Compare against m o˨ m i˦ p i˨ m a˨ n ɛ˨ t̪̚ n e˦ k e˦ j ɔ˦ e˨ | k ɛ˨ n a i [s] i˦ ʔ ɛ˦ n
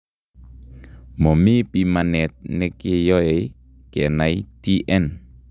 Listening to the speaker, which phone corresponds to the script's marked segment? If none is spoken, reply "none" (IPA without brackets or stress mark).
t